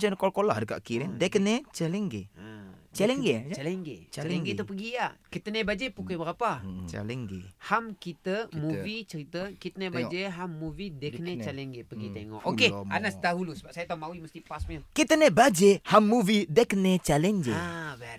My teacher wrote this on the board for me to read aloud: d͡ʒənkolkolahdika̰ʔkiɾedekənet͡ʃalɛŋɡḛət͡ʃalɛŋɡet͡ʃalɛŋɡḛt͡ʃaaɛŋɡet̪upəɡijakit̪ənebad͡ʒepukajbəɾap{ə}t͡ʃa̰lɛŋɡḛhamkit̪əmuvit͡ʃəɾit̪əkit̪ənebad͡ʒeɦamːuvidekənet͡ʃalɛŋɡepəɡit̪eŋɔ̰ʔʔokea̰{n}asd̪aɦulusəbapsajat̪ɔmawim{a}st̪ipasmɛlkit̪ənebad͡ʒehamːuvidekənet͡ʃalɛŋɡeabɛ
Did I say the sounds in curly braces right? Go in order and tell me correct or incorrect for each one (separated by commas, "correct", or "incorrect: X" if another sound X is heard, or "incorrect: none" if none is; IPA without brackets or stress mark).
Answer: incorrect: a, correct, incorrect: ə